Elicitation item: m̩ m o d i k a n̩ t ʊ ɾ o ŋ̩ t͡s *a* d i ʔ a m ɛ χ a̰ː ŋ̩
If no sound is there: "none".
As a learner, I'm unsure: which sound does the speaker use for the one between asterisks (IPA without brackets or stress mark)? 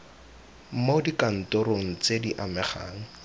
e